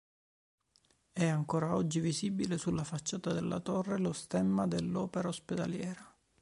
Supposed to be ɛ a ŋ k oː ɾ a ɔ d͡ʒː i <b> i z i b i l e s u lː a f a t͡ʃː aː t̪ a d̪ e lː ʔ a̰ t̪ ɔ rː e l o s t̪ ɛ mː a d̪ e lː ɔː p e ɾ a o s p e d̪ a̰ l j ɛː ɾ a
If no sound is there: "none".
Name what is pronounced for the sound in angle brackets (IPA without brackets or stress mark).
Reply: v